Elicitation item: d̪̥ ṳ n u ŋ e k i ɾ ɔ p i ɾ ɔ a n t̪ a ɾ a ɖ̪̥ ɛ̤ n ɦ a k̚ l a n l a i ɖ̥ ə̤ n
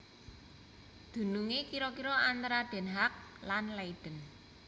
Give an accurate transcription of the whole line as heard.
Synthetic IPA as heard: d̪̥ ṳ n u ŋ e k i ɾ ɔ k i ɾ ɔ a n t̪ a ɾ a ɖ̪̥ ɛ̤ n ɦ a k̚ l a n l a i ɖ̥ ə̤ n